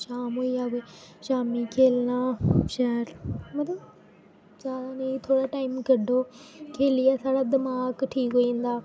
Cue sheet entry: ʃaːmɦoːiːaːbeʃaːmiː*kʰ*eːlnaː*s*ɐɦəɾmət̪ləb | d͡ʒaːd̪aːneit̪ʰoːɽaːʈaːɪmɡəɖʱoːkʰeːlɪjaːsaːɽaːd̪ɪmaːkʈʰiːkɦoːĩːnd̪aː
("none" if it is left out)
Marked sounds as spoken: kʰ, ʃ

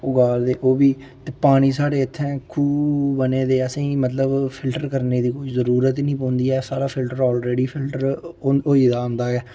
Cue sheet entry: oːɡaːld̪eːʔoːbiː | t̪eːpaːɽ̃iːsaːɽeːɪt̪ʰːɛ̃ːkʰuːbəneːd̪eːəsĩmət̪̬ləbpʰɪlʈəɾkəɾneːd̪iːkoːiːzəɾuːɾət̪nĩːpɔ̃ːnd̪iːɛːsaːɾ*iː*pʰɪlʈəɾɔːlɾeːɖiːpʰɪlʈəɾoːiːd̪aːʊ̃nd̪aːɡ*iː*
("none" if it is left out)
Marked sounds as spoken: aː, ɛː

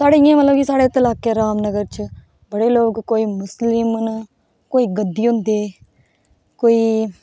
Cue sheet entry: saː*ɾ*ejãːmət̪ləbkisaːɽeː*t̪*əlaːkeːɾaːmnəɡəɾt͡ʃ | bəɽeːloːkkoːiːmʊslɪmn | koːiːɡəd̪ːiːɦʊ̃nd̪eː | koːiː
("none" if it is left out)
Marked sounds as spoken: ɽ, t̪

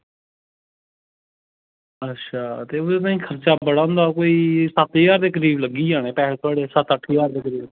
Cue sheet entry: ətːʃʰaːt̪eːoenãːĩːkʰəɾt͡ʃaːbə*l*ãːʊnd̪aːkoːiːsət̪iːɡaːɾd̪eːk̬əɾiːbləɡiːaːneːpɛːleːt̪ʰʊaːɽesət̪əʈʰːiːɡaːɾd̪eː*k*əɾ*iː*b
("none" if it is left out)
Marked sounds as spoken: ɽ, k, iː

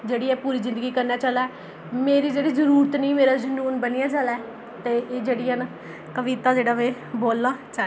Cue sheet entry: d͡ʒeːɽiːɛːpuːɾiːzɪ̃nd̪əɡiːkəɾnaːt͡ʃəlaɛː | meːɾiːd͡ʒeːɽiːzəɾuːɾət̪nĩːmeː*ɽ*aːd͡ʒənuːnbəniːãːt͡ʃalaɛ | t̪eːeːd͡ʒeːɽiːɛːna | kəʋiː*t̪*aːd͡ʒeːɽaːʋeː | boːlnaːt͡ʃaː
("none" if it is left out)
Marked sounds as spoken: ɾ, t̪

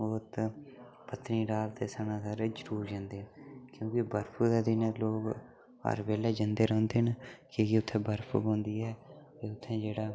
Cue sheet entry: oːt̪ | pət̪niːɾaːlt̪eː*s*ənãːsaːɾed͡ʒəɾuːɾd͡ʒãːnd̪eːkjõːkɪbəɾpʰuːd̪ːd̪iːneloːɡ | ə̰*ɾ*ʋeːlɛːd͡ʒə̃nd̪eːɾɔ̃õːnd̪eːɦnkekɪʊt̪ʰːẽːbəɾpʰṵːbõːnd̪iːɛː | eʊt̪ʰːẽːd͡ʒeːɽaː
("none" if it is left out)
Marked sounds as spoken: s, ɾ

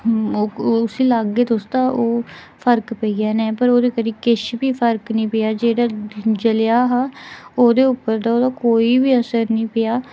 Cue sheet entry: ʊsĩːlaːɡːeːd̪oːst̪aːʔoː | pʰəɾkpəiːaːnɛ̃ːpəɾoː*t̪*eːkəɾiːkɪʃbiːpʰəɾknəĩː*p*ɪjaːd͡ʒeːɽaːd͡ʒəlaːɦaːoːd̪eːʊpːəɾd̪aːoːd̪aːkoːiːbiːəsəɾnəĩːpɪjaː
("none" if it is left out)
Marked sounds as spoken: d̪, p

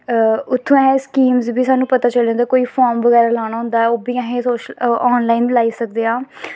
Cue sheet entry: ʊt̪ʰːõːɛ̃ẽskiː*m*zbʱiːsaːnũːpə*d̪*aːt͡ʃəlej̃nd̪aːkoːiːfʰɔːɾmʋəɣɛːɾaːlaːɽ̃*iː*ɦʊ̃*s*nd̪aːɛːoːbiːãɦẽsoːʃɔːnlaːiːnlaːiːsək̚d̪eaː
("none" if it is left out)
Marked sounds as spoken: m, t̪, aː, none

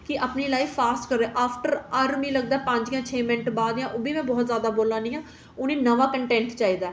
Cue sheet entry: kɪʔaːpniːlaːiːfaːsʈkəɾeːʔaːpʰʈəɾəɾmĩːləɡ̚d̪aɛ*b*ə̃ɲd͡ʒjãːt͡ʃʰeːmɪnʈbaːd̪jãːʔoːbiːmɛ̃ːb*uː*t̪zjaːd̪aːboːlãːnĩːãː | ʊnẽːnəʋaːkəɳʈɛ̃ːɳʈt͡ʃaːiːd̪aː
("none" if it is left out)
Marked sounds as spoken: p, ɔː

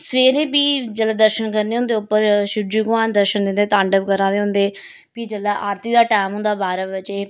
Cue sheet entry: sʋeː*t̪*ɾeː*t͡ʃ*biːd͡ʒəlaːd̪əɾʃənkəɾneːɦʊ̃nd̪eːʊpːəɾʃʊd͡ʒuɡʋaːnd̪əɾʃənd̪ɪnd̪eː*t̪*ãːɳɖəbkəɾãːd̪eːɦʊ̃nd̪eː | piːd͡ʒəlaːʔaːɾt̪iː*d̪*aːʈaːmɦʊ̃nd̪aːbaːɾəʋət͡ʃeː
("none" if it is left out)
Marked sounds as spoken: none, none, t̪, d̪

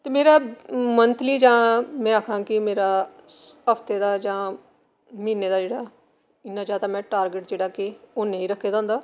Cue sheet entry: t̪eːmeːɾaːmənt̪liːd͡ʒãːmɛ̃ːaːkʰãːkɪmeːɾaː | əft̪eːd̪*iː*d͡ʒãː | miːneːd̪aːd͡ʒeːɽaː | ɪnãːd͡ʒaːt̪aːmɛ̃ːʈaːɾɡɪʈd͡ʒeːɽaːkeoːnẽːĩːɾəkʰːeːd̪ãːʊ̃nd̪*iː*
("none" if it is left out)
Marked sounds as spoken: aː, aː

